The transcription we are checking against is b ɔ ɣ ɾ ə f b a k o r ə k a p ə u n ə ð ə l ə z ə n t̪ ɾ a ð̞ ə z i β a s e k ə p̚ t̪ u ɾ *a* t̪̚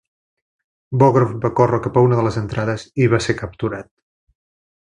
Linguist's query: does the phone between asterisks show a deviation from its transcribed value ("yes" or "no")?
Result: no